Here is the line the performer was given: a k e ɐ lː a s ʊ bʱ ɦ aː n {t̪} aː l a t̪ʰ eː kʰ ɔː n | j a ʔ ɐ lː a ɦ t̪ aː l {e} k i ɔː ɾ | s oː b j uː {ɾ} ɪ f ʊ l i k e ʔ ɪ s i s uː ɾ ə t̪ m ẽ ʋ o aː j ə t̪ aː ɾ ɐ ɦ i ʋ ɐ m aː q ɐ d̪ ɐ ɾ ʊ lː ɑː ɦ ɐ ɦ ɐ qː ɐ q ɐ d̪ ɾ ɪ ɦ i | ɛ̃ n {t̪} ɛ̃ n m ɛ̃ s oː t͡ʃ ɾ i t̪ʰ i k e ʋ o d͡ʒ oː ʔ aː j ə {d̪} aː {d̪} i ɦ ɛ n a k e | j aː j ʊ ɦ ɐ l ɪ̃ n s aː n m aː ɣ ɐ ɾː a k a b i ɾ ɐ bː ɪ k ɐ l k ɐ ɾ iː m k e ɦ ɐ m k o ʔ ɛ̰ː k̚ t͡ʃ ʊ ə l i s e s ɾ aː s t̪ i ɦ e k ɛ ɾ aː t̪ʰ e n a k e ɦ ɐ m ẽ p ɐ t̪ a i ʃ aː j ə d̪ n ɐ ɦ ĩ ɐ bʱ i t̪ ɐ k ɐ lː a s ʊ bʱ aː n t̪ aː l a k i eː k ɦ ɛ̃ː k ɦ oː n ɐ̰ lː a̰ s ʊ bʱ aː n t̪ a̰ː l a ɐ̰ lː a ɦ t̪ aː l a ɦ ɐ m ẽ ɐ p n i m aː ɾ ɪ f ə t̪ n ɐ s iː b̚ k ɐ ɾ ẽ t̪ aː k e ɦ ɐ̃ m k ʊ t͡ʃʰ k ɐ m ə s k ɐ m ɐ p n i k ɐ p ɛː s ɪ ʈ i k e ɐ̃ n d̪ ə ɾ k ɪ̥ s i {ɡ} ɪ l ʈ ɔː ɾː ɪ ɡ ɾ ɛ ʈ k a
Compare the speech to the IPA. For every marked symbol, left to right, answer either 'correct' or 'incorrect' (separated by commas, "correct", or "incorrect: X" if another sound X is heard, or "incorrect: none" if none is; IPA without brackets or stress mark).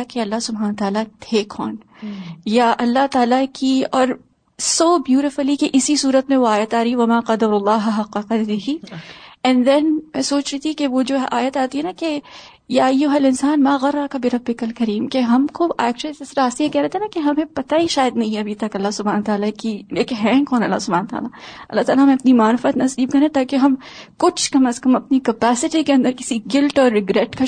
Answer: correct, incorrect: a, correct, incorrect: d̪, incorrect: t̪, incorrect: t̪, correct